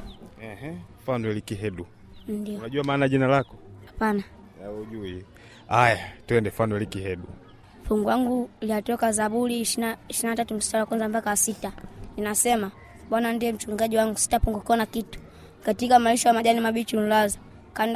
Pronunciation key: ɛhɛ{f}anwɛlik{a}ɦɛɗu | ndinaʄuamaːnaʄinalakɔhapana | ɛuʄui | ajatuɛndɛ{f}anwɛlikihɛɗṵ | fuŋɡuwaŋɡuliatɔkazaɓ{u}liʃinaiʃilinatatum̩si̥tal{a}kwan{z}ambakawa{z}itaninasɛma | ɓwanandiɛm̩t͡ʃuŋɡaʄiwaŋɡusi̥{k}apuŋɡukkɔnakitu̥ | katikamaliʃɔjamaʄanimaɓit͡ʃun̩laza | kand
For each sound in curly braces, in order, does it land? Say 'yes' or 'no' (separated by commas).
yes, no, yes, yes, yes, yes, no, no